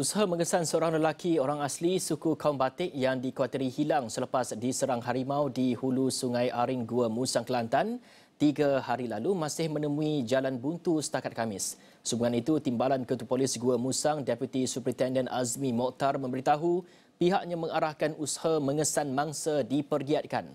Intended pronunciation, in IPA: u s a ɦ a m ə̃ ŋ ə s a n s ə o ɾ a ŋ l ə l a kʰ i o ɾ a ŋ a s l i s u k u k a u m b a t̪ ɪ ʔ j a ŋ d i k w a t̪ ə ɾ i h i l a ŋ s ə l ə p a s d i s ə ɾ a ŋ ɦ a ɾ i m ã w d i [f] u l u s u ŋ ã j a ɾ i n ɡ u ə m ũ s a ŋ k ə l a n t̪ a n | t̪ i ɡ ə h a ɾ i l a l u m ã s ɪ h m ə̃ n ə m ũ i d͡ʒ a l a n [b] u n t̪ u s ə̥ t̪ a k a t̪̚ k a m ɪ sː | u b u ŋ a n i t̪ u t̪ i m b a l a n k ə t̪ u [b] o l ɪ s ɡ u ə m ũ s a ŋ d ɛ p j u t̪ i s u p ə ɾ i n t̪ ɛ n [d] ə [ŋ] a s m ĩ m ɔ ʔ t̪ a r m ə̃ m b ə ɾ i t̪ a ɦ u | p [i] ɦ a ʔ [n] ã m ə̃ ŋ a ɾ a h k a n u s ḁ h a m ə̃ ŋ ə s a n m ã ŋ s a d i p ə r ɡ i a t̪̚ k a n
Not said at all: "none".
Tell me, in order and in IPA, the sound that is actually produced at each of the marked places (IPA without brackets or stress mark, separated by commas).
h, b, p, d, n, i, ɲ